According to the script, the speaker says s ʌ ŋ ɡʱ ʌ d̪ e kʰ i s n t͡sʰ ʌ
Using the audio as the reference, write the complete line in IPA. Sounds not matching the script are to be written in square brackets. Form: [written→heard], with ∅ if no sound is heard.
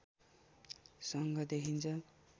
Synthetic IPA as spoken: s ʌ ŋ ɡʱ ʌ d̪ e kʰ i [s→∅] n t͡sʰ ʌ